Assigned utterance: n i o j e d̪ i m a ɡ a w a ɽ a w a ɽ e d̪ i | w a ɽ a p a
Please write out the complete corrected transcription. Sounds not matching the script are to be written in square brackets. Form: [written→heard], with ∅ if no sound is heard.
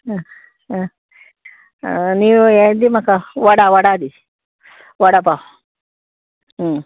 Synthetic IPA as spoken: n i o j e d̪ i m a [ɡ→k] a w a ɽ a w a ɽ [e→a] d̪ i | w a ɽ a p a